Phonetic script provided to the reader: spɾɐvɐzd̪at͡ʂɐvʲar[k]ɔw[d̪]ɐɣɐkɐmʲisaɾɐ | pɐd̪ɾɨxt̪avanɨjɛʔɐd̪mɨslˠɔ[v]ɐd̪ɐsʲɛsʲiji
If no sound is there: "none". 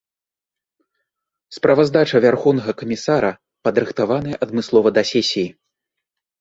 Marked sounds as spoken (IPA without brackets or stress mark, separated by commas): x, n̪, v